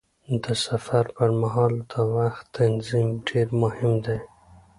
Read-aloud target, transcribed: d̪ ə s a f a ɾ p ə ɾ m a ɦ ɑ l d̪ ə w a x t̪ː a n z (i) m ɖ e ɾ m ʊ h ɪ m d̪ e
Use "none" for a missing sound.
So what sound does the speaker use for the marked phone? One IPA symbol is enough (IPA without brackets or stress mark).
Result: i